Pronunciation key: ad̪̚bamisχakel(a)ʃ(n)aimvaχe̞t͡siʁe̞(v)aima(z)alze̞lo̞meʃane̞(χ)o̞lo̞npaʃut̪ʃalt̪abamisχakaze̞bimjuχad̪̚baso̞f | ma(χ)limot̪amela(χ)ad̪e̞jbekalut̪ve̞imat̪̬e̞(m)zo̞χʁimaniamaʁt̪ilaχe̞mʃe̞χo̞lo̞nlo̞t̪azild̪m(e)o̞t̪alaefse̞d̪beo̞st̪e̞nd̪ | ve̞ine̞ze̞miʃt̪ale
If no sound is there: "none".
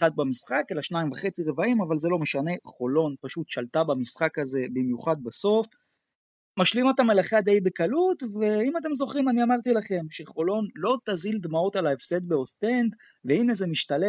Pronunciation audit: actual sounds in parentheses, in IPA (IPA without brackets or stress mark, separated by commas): a, n, v, v, χ, ʃ, χ, m, a